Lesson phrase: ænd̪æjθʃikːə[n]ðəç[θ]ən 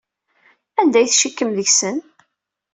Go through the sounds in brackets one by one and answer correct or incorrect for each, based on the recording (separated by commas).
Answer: incorrect, incorrect